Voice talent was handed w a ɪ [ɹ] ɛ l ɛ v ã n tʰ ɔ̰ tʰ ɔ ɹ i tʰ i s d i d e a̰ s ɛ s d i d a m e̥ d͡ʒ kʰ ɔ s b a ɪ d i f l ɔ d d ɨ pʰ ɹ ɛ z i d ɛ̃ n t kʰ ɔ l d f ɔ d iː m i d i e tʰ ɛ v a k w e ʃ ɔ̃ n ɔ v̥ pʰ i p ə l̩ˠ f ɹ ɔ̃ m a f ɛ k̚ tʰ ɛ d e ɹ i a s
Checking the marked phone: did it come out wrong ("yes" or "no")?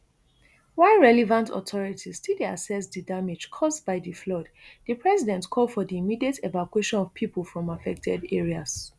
no